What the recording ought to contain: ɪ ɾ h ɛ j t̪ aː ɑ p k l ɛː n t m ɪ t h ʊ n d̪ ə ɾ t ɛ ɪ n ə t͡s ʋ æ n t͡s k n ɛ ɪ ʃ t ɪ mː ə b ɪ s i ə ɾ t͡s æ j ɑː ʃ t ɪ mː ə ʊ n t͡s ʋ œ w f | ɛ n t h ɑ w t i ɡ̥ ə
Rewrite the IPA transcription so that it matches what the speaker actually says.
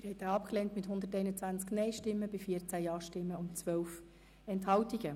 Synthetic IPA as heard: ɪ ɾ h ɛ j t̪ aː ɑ p k l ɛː n t m ɪ t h ʊ n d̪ ə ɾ t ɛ ɪ n ə t͡s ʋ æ n t͡s k n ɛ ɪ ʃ t ɪ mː ə b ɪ f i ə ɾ t͡s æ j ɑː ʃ t ɪ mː ə ʊ n t͡s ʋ œ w f | ɛ n t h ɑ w t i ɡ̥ ə